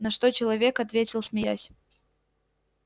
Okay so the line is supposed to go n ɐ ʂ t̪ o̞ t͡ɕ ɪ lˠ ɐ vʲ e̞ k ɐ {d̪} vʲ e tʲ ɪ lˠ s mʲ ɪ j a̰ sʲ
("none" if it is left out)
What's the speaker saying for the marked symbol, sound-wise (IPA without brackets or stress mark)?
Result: t̪